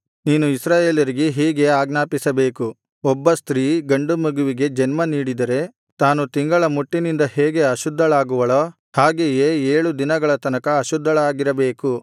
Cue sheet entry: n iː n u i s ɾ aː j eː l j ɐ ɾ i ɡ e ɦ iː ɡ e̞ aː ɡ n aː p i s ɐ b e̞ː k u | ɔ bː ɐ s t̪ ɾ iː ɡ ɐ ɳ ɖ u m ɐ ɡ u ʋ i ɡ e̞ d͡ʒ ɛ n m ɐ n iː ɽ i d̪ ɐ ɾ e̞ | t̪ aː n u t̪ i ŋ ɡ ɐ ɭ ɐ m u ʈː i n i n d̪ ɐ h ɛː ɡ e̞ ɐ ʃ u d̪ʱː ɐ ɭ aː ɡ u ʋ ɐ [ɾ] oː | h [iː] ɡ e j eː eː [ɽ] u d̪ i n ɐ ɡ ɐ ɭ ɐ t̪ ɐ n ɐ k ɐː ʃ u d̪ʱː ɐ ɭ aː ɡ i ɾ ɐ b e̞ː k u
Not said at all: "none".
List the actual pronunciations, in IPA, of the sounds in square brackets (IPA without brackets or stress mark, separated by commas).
ɭ, aː, ɭ